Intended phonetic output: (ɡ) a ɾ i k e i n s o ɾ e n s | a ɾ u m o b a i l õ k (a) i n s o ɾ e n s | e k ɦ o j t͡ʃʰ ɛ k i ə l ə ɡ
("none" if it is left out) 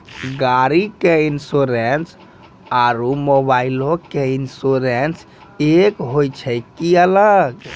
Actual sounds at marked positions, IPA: ɡ, e

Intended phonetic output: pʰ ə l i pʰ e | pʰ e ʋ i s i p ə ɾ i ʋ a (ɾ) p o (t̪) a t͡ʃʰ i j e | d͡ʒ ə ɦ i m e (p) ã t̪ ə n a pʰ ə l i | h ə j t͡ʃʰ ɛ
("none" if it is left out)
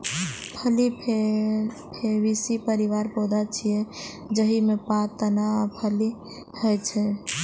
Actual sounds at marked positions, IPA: ɾ, d̪, p

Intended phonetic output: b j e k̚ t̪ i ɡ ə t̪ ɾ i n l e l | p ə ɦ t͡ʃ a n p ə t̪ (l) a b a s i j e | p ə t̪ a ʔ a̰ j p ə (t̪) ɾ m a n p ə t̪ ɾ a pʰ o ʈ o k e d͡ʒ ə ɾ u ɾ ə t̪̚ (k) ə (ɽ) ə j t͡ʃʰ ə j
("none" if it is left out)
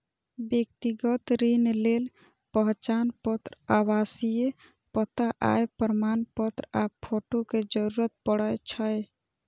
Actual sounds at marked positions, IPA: ɾ, none, p, ɽ

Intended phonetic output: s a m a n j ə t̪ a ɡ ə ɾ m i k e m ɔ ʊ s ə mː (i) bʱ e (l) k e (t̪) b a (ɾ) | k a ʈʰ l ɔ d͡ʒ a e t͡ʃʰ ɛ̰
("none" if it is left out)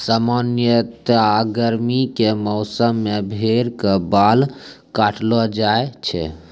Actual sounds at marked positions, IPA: e, ɾ, none, l

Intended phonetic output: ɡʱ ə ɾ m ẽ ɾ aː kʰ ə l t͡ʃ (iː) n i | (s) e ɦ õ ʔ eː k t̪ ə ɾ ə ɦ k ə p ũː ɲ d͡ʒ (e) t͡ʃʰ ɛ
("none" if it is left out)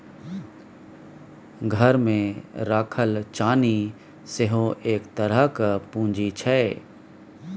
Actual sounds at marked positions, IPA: aː, s, i

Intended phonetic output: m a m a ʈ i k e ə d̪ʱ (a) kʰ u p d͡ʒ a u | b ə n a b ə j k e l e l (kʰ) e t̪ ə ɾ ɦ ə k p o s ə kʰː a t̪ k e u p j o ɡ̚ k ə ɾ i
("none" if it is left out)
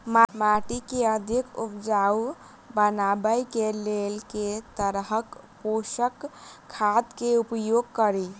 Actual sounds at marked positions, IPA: i, k

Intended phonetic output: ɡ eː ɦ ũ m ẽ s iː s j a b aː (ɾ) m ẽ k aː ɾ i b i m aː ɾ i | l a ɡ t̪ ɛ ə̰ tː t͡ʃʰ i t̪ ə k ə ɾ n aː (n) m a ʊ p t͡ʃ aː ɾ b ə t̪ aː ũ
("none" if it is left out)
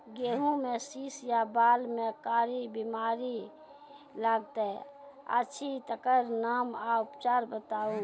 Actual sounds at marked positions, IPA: l, none

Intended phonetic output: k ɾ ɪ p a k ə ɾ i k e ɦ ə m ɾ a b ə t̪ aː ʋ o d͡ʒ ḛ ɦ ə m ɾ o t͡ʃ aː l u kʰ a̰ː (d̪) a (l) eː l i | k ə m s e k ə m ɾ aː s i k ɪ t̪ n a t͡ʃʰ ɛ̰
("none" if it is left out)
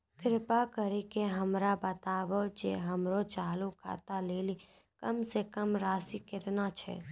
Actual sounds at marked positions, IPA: t̪, l

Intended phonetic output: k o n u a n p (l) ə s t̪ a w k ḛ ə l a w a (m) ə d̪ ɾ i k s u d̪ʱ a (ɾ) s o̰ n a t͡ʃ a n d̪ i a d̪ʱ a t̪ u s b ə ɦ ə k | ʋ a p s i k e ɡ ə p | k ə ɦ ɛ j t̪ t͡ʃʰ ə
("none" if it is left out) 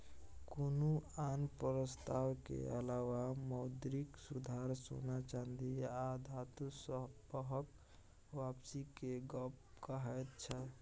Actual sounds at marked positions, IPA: ɾ, m, ɾ

